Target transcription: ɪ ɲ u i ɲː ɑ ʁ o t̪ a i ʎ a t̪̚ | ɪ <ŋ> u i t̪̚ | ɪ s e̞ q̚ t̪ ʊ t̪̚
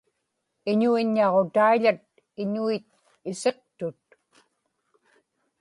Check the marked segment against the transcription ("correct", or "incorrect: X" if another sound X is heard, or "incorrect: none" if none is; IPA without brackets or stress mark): incorrect: ɲ